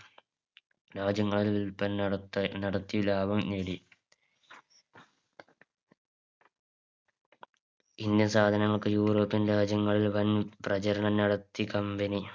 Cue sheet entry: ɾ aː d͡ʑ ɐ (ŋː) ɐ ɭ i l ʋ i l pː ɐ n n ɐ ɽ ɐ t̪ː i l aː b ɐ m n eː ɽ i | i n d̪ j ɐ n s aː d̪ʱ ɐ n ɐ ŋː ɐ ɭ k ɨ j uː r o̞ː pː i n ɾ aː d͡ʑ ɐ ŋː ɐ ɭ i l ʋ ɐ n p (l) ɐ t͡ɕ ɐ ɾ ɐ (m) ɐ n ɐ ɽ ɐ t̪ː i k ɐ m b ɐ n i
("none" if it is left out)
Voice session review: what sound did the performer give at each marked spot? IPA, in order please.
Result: ŋː, r, ɳ

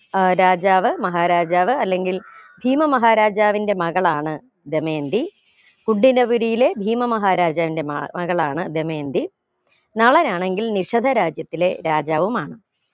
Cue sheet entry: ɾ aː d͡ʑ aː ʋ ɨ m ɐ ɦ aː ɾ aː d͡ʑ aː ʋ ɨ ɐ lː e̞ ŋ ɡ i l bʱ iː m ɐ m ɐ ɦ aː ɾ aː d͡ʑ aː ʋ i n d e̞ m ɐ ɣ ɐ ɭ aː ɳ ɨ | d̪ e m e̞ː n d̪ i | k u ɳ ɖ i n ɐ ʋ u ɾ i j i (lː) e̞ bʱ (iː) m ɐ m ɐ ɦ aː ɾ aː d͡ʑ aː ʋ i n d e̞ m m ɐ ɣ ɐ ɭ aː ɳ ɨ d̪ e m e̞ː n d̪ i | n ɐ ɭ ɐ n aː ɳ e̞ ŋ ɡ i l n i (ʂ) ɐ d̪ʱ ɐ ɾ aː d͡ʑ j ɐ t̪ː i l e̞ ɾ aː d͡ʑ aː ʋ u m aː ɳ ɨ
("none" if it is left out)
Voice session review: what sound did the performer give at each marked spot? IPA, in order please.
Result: l, iː, ʂ

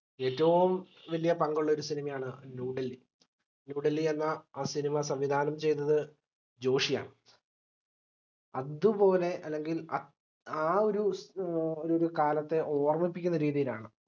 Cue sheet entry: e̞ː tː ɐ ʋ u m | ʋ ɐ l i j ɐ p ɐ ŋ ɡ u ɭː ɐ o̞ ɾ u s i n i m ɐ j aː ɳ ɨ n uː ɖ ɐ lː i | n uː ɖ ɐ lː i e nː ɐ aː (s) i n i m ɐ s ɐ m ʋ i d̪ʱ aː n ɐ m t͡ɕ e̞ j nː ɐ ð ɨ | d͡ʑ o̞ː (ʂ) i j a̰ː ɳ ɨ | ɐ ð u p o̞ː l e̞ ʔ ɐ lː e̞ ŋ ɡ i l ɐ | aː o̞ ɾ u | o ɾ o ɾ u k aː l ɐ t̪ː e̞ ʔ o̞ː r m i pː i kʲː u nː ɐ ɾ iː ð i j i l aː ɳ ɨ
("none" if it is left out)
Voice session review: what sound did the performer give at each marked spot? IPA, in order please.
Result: s, ʂ

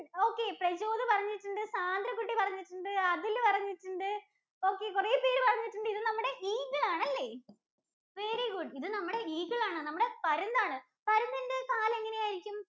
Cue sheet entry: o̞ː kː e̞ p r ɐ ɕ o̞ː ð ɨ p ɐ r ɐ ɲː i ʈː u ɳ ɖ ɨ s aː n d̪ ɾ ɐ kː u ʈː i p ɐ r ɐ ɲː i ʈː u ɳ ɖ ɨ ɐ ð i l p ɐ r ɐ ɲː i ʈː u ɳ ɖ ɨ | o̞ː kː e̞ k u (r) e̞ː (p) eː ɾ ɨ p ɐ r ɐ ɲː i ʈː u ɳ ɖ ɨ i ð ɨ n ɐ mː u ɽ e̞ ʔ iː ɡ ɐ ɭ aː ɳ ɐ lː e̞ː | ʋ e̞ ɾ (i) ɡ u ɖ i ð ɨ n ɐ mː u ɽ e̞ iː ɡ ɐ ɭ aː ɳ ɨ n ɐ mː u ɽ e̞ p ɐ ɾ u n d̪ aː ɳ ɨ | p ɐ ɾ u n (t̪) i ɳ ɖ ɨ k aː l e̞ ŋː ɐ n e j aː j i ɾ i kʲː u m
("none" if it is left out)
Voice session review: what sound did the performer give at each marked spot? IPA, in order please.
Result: r, p, i, d̪

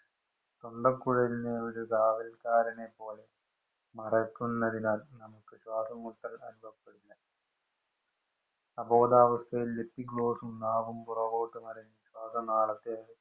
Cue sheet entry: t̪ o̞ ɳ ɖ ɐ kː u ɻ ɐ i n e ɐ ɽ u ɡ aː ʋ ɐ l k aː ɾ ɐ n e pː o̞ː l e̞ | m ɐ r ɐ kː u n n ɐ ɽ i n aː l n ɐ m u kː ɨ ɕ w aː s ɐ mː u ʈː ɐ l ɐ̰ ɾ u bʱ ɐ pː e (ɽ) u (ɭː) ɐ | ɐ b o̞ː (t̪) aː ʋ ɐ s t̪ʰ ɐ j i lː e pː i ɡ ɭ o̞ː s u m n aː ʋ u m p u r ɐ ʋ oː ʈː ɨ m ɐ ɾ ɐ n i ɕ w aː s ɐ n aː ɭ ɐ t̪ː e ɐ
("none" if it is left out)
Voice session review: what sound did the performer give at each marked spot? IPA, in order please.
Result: ɽ, lː, d̪

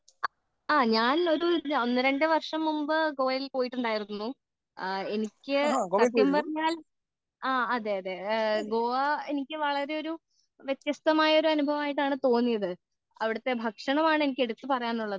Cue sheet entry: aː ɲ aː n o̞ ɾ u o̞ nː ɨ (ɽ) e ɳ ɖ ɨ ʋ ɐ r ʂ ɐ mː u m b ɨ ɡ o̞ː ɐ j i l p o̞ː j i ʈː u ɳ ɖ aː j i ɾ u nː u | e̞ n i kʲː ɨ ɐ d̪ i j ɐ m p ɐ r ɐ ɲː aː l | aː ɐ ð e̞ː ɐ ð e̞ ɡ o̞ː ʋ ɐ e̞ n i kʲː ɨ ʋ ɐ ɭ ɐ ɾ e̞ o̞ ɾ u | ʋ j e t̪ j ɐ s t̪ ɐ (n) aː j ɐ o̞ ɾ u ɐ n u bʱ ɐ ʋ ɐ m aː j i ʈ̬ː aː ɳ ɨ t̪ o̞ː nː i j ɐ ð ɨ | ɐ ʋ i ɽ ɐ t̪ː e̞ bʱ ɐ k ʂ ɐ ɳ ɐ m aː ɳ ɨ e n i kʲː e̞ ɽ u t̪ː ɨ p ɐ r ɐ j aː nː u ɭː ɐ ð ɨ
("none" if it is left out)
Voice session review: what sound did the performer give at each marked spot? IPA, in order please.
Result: ɾ, m

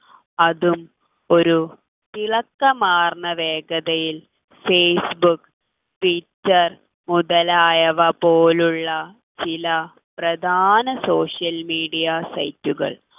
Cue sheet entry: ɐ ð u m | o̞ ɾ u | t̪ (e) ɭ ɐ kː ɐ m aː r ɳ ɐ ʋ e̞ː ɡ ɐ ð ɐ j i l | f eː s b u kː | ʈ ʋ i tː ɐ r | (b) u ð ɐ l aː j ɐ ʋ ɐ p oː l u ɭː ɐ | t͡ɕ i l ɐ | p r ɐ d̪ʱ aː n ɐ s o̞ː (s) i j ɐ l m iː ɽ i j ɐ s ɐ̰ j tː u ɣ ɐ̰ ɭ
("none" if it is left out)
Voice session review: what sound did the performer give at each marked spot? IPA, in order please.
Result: i, m, ʂ

